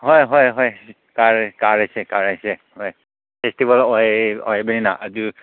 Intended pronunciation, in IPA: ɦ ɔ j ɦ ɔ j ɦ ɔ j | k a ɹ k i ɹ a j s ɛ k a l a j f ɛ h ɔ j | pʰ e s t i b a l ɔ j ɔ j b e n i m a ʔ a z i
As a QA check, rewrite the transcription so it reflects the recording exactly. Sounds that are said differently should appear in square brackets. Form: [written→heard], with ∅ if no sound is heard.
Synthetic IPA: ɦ ɔ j ɦ ɔ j ɦ ɔ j | k a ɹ k [i→a] ɹ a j s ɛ k a [l→ɹ] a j [f→s] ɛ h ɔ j | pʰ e s t i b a l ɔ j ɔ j b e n i [m→n] a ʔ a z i